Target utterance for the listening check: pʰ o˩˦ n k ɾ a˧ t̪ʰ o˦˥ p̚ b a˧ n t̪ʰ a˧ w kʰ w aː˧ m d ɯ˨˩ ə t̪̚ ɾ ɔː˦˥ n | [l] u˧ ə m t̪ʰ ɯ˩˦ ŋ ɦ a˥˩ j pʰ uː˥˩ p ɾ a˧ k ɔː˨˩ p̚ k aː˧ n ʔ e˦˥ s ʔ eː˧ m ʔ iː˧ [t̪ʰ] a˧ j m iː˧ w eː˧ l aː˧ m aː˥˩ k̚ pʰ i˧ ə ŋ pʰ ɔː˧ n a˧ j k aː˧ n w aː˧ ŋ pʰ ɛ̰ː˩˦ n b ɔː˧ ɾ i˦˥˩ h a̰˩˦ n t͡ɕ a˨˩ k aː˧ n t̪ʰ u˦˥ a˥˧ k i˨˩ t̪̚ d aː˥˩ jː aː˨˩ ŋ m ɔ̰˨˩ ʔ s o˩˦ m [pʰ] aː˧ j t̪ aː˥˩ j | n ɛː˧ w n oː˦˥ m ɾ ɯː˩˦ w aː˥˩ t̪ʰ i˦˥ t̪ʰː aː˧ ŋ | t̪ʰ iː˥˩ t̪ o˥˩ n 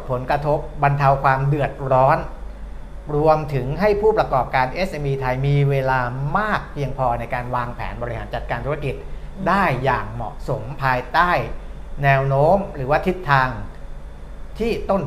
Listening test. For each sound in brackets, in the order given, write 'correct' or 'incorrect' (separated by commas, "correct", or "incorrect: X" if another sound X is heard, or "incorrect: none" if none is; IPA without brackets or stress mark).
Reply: incorrect: ɾ, correct, correct